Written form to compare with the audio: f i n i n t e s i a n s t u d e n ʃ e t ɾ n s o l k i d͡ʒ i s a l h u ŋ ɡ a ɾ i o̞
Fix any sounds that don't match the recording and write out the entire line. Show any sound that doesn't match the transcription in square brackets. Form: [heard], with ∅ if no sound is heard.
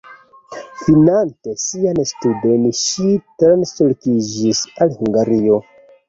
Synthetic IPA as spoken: f i n [a] n t e s i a n s t u d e n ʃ [i] t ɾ n s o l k i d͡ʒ i s a l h u ŋ ɡ a ɾ i o̞

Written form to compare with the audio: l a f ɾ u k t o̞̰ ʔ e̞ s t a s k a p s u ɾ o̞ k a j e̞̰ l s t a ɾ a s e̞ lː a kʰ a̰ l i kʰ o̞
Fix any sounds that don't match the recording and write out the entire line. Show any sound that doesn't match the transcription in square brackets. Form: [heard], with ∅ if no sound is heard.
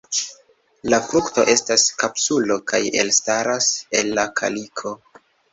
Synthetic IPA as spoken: l a f ɾ u k t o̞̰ ʔ e̞ s t a s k a p s u [l] o̞ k a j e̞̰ l s t a ɾ a s e̞ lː a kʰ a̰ l i kʰ o̞

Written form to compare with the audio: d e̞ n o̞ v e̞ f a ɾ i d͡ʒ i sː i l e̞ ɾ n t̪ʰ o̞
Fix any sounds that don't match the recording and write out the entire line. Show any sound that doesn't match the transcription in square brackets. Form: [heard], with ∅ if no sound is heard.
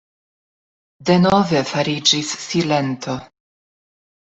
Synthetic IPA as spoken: d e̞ n o̞ v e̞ f a ɾ i d͡ʒ i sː i l e̞ [∅] n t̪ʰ o̞

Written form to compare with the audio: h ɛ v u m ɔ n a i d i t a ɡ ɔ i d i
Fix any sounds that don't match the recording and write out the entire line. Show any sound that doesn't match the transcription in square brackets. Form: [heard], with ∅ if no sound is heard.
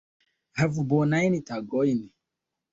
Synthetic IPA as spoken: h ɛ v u [b] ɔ n a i [n] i t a ɡ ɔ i [n] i

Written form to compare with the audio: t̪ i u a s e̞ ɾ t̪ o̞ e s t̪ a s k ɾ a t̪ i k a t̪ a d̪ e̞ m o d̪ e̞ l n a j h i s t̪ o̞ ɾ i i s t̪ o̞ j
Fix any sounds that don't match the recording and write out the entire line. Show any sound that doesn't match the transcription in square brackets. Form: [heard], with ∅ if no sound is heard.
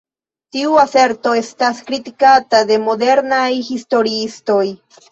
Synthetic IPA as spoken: t̪ i u a s e̞ ɾ t̪ o̞ e s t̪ a s k ɾ [i] t̪ i k a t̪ a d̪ e̞ m o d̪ e̞ [ɾ] n a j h i s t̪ o̞ ɾ i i s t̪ o̞ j

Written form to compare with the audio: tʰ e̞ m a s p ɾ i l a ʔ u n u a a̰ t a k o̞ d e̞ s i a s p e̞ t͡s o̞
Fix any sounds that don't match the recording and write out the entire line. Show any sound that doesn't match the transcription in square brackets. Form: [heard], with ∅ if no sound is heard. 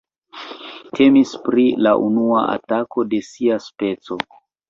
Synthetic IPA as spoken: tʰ e̞ m [i] s p ɾ i l a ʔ u n u a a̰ t a k o̞ d e̞ s i a s p e̞ t͡s o̞

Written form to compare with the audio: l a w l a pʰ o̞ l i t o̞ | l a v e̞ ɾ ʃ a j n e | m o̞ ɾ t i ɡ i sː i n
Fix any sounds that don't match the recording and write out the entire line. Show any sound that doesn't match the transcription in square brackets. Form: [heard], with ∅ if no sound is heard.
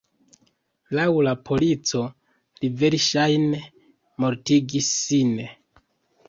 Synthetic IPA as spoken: l a w l a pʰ o̞ l i [t͡s] o̞ | l [i] v e̞ ɾ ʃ a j n e | m o̞ ɾ t i ɡ i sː i n

